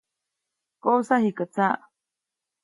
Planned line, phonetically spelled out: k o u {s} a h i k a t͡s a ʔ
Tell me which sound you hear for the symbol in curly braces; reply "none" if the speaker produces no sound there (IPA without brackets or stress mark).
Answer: s